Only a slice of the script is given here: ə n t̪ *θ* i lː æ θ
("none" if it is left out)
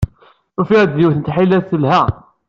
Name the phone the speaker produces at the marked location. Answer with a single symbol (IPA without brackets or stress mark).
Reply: ħ